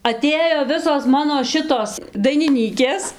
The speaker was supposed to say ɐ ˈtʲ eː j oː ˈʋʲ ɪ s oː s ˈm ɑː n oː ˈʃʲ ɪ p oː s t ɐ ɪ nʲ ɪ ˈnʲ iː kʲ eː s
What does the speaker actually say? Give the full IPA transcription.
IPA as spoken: ɐ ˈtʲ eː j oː ˈʋʲ ɪ s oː s ˈm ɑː n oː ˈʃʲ ɪ t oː s d ɐ ɪ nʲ ɪ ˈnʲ iː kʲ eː s